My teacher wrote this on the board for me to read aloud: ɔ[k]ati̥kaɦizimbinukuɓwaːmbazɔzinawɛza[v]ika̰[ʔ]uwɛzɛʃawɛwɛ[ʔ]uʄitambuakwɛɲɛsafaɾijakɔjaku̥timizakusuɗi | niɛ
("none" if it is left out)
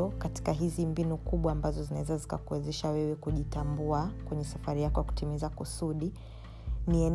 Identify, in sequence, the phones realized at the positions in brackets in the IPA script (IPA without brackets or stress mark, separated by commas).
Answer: k, z, k, k